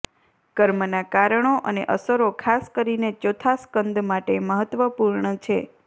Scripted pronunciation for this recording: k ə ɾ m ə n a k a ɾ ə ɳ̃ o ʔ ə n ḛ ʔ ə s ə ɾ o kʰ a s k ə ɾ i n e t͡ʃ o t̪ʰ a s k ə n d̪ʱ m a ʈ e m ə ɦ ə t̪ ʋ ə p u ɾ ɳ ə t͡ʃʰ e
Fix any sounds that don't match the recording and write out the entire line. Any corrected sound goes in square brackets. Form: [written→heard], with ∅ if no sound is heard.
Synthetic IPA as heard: k ə ɾ m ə n a k a ɾ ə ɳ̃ o ʔ ə n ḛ ʔ ə s ə ɾ o kʰ a s k ə ɾ i n e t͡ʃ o t̪ʰ a s k ə n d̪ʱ m a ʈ e m ə ɦ ə t̪ ʋ ə p u ɾ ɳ ə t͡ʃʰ e